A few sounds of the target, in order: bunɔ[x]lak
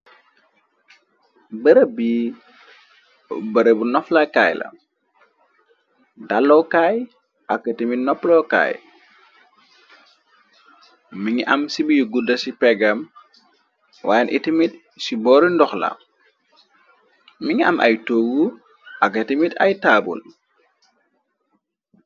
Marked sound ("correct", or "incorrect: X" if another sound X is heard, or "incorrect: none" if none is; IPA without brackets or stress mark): incorrect: f